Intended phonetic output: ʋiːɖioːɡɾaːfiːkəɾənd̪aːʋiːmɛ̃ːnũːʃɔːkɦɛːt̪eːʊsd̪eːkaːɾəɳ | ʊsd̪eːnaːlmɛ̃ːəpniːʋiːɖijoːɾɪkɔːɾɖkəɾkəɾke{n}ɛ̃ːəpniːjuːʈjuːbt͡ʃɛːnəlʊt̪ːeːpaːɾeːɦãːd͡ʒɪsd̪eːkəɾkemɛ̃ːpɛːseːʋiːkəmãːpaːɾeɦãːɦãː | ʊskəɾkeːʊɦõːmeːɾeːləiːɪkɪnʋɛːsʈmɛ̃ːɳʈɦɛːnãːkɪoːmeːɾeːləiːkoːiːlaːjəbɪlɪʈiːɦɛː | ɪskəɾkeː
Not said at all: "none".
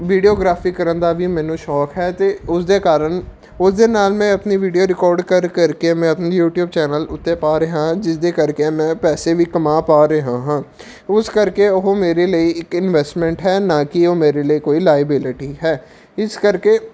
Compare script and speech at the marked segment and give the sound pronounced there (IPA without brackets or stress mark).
m